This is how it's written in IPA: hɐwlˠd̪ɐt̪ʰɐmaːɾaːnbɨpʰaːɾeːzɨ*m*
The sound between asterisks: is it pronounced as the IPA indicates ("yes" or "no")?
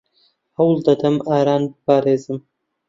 yes